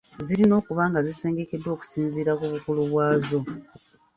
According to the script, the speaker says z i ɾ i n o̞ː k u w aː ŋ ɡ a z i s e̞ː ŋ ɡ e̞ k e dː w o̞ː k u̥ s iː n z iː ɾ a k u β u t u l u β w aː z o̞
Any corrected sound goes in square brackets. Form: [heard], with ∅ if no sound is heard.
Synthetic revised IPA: z i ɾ i n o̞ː k u [β] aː ŋ ɡ a z i s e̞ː ŋ ɡ e̞ k e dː w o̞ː k u̥ s iː n z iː ɾ a k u β u [k] u l u β w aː z o̞